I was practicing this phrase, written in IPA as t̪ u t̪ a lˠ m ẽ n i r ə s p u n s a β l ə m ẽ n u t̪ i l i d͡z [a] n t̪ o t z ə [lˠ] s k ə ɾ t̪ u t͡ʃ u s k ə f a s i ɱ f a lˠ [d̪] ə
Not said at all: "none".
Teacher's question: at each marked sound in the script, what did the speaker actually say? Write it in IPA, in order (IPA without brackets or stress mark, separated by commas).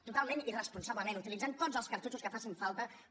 a, lˠ, t̪